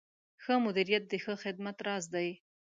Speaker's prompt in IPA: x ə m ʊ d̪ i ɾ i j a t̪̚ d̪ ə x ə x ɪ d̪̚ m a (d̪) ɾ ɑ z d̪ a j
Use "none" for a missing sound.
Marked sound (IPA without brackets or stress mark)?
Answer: t̪